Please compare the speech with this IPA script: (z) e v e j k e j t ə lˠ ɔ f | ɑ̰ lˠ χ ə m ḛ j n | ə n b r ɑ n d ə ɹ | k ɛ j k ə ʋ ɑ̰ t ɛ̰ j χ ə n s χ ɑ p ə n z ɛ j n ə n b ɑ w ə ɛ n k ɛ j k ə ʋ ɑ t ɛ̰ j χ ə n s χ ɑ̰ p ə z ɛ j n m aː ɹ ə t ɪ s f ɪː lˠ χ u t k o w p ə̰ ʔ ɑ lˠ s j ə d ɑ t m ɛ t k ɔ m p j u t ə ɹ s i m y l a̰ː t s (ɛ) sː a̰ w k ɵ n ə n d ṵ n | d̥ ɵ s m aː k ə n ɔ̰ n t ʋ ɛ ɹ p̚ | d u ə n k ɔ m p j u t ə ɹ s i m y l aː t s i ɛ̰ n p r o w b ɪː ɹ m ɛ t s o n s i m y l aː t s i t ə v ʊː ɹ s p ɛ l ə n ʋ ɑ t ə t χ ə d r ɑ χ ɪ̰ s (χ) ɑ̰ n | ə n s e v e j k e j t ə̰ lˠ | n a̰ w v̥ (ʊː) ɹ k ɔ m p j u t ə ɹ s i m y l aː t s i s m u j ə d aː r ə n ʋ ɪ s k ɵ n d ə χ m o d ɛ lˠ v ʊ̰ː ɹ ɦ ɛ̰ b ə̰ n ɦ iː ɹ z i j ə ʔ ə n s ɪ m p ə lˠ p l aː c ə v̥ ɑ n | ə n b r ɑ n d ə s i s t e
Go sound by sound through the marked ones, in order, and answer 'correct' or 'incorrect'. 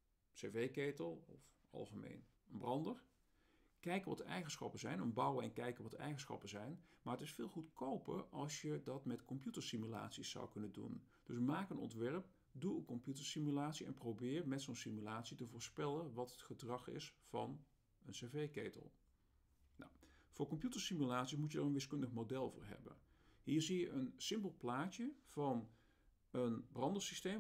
incorrect, incorrect, incorrect, correct

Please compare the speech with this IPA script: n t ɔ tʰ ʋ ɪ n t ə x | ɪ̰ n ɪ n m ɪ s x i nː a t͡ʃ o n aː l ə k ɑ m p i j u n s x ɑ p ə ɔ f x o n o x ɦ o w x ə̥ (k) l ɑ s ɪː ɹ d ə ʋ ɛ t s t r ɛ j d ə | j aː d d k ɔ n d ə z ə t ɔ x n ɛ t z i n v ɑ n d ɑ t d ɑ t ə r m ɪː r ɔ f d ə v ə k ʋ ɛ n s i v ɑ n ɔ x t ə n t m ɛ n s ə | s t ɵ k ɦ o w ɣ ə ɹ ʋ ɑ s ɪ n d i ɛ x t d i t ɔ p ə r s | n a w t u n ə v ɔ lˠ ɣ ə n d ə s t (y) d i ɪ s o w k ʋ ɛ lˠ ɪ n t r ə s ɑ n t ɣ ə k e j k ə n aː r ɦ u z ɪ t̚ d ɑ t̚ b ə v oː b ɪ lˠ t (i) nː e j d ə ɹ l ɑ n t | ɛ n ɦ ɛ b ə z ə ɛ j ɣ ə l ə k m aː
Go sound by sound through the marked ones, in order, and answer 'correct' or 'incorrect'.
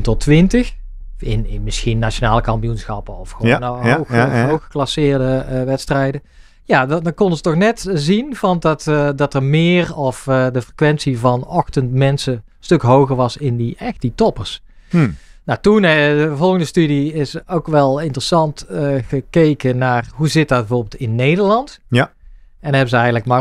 correct, correct, incorrect

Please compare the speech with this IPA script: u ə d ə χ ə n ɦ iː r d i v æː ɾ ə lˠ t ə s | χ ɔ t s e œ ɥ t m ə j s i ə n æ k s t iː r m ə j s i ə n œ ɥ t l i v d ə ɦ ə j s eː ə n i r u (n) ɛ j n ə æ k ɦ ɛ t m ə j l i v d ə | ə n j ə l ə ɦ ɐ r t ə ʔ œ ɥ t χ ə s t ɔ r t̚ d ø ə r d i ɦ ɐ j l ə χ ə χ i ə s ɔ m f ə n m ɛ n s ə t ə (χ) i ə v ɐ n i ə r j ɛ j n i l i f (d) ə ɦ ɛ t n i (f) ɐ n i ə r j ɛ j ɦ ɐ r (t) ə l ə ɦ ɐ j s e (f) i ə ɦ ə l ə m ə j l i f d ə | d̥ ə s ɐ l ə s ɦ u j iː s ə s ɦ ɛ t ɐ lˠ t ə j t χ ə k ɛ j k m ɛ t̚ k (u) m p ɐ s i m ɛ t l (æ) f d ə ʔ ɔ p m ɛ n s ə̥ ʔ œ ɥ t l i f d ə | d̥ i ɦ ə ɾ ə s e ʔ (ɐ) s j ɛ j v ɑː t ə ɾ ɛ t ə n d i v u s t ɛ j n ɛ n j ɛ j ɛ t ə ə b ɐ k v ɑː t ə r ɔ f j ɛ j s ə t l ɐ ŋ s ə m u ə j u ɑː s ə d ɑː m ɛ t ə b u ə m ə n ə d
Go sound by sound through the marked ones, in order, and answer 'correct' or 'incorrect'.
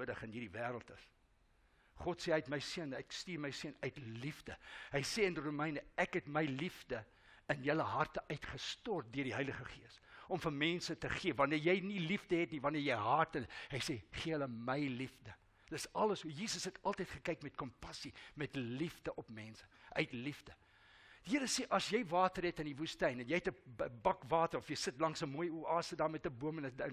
incorrect, correct, correct, incorrect, correct, incorrect, incorrect, incorrect, correct

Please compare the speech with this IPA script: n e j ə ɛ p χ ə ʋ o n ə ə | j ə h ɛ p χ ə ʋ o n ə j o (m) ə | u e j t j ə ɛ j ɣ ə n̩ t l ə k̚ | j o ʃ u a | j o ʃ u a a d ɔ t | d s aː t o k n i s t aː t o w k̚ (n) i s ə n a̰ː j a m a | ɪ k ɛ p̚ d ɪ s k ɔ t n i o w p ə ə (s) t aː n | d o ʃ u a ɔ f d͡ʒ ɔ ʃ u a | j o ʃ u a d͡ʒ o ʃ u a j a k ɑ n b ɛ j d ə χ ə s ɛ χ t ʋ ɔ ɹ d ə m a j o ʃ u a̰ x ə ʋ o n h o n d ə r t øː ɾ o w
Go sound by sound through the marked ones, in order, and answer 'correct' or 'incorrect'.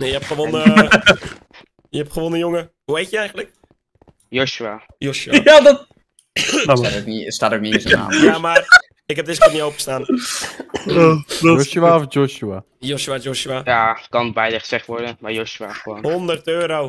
incorrect, correct, correct

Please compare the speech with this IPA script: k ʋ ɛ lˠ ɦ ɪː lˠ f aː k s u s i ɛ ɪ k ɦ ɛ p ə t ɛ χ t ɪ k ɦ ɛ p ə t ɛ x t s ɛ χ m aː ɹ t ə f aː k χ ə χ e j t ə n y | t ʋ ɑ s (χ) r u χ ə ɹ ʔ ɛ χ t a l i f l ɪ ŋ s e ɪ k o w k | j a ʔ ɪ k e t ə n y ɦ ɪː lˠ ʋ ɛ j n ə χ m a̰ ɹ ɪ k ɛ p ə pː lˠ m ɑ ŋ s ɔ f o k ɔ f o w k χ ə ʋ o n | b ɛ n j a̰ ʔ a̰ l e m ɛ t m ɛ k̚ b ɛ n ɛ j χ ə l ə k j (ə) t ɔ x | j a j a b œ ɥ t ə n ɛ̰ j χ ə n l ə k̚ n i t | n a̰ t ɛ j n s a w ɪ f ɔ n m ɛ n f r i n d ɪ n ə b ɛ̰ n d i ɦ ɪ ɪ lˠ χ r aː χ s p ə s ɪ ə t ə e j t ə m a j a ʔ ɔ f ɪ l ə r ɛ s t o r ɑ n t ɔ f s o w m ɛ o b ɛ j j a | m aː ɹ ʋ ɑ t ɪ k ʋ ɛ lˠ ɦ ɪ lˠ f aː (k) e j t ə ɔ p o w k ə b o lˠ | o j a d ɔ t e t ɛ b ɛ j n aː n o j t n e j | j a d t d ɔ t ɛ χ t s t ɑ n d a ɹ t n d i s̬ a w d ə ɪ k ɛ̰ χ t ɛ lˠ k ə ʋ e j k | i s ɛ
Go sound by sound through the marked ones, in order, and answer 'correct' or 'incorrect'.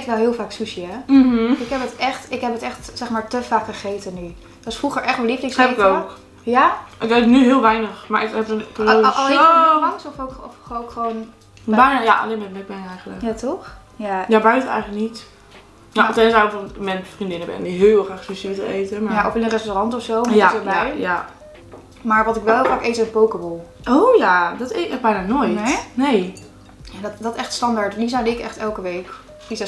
incorrect, incorrect, correct

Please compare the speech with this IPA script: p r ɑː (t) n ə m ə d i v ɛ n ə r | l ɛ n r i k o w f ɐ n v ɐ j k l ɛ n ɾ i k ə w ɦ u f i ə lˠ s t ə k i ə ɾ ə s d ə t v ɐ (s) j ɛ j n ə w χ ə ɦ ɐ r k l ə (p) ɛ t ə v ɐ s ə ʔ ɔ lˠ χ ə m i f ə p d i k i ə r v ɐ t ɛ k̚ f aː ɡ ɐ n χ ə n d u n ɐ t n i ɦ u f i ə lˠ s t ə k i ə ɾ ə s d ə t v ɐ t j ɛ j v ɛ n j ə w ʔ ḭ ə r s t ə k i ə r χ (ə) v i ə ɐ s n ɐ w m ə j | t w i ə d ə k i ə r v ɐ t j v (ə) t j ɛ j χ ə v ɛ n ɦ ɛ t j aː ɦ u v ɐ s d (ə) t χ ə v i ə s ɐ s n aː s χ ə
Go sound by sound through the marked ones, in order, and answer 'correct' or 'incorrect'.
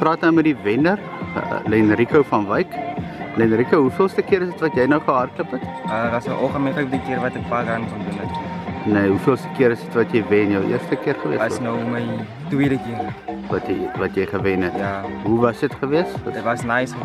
correct, incorrect, correct, correct, incorrect, correct

